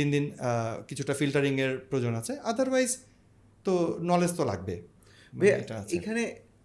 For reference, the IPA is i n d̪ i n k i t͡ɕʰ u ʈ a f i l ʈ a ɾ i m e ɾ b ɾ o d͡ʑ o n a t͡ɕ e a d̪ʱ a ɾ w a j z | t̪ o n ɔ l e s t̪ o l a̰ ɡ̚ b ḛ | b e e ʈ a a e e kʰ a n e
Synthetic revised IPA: i n d̪ i n k i t͡ɕʰ u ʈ a f i l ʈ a ɾ i ŋ e ɾ p ɾ o d͡ʑ o n a t͡ɕʰ e a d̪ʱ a ɾ w a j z | t̪ o n ɔ l e s t̪ o l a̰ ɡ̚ b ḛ | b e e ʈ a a e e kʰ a n e